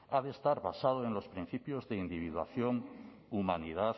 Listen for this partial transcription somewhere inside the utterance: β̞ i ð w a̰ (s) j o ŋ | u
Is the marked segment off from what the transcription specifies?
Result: yes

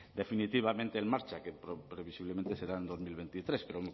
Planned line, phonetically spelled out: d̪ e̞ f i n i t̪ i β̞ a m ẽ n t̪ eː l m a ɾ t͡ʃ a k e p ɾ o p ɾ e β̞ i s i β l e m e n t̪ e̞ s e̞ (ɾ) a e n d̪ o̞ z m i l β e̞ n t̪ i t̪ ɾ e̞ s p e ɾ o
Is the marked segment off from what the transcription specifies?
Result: no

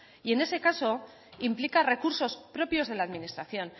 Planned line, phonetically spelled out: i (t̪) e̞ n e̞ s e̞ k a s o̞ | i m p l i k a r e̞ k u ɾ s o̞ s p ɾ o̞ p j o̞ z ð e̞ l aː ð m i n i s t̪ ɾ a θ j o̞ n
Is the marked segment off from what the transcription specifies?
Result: yes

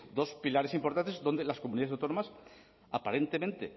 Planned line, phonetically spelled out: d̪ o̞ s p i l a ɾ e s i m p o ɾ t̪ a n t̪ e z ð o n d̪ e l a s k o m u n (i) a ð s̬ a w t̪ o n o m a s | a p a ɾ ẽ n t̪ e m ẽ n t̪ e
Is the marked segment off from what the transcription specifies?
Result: no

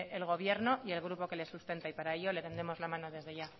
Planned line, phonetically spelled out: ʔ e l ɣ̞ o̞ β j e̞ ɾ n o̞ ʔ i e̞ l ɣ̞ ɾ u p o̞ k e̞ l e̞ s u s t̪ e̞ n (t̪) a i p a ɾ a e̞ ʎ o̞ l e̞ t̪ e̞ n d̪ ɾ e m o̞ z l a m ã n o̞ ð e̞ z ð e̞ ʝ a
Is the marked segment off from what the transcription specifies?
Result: no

